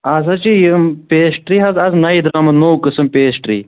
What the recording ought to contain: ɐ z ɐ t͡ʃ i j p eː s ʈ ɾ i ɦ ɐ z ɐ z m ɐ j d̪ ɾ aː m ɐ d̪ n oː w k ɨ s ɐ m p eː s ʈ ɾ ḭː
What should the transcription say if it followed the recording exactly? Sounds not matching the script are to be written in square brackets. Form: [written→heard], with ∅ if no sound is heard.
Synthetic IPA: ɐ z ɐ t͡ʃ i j p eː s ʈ ɾ i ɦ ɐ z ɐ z [m→n] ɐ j d̪ ɾ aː m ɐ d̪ n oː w k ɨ s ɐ m p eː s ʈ ɾ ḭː